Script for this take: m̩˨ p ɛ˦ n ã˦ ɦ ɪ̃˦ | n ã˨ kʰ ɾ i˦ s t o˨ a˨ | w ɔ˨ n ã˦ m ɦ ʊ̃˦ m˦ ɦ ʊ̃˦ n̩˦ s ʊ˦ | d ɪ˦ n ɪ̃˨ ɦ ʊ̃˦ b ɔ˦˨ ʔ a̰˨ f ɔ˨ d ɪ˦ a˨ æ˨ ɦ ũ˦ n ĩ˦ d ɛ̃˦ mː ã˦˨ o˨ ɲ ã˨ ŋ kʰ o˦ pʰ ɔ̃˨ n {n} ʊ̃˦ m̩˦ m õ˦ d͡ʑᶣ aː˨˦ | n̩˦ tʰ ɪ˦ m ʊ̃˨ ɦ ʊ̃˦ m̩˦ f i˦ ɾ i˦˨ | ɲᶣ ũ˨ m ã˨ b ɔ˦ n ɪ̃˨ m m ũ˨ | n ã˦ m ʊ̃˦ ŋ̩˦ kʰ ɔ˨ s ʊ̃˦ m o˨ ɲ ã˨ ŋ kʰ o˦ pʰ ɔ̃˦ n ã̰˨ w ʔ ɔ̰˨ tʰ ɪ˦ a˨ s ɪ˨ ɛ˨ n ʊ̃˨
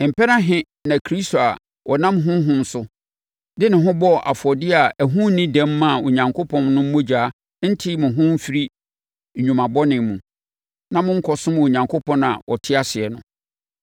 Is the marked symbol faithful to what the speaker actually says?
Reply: yes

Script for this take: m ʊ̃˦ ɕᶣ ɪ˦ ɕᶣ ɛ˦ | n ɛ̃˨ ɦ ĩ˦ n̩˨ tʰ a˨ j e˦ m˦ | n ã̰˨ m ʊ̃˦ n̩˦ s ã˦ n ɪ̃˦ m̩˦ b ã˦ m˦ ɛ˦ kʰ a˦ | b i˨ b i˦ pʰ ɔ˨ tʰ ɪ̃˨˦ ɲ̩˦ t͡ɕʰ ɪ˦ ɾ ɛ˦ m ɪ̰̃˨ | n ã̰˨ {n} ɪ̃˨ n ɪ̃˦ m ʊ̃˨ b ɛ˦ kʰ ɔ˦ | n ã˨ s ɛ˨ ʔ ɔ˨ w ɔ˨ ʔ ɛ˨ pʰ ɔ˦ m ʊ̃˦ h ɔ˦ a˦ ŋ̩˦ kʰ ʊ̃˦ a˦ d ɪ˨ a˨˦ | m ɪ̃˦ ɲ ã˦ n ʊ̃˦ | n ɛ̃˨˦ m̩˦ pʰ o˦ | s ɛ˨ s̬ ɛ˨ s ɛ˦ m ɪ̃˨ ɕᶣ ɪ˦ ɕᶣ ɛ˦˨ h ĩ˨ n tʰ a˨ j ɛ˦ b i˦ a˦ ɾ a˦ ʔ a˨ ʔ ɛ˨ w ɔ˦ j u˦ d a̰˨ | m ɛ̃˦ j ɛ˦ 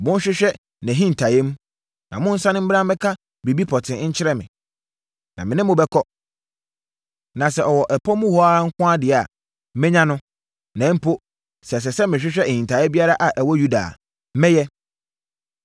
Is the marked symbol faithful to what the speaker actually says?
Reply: no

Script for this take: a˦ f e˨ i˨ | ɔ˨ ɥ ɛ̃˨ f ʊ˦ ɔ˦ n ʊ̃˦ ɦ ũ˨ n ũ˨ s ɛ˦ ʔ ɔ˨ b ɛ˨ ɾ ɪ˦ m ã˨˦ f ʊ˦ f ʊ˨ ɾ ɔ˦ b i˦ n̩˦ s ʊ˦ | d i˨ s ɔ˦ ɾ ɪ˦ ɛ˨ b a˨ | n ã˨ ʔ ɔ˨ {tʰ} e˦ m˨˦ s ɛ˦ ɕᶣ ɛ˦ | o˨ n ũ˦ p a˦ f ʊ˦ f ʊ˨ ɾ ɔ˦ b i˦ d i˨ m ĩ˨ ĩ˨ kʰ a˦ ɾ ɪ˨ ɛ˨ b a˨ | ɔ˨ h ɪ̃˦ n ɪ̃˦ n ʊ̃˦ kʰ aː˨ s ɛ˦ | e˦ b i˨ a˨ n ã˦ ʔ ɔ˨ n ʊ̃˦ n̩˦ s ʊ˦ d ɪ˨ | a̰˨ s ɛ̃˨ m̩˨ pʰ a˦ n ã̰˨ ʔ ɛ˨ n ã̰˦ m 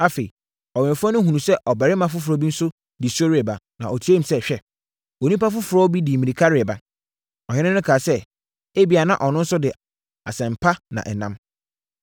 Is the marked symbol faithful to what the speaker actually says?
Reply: yes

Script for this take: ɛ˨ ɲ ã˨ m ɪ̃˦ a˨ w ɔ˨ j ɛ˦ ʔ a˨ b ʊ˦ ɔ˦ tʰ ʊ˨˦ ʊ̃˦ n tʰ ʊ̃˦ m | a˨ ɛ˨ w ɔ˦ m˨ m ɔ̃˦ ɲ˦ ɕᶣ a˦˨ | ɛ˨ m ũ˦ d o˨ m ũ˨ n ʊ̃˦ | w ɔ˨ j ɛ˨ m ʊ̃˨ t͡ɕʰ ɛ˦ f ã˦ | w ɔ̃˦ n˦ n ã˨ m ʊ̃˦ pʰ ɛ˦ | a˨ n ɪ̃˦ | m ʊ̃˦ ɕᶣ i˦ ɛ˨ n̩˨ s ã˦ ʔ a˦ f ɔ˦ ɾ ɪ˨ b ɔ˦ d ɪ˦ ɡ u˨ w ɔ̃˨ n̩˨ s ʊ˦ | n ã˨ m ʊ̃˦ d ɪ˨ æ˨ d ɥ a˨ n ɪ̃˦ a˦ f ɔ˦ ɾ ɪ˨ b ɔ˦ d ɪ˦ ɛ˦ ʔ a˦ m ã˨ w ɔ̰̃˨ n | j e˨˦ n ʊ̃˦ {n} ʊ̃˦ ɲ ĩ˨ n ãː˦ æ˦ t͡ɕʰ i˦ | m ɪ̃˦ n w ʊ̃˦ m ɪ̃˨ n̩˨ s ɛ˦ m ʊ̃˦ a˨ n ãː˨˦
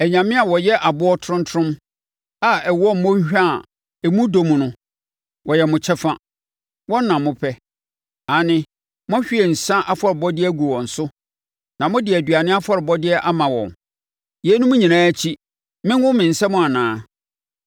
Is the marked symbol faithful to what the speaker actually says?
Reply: no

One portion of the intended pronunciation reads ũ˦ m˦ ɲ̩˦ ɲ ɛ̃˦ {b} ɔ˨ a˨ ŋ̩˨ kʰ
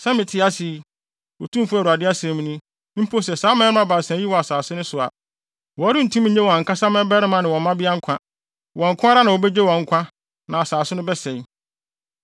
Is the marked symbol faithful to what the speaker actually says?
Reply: no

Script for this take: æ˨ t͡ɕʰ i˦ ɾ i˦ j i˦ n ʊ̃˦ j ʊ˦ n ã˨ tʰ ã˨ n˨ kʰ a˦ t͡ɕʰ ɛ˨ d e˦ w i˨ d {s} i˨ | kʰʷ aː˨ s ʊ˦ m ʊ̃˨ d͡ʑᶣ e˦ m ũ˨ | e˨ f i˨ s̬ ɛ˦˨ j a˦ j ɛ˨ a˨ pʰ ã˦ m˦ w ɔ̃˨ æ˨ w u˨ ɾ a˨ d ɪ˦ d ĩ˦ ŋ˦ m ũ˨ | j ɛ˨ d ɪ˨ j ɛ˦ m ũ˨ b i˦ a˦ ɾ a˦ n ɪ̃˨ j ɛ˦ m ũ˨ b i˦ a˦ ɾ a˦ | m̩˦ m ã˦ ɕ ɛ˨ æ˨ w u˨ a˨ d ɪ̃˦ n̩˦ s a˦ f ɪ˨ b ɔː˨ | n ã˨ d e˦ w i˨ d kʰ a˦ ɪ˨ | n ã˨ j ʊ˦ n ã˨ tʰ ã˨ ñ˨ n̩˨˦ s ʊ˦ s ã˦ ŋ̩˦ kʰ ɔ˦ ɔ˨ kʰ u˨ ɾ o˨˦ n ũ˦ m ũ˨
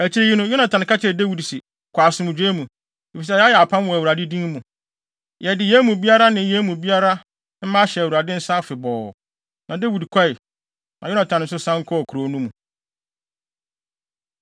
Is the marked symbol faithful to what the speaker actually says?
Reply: yes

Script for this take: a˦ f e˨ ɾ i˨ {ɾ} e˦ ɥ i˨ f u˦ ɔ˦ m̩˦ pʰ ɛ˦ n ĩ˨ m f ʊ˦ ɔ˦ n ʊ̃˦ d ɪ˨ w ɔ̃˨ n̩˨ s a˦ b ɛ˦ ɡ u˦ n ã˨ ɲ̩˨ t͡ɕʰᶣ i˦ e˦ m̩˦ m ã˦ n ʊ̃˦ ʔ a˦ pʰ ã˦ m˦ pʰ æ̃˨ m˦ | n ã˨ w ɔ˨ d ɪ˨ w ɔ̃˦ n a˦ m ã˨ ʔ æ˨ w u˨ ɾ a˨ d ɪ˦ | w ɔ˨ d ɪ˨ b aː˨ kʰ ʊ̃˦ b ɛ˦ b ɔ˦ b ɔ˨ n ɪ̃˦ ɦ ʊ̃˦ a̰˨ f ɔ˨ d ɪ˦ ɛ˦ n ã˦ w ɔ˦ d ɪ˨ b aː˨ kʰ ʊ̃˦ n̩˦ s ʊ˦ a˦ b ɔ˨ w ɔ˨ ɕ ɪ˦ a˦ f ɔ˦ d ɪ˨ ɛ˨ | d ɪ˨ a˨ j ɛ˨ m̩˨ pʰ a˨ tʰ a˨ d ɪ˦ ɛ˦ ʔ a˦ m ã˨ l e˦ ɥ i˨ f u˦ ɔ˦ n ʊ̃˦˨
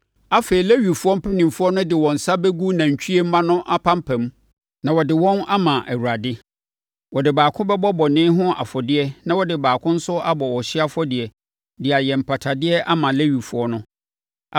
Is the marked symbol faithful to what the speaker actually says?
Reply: no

